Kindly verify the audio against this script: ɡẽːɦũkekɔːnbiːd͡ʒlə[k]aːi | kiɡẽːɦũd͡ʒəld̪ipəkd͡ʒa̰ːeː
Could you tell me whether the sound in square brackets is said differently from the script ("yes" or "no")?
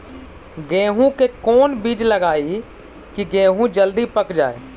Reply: yes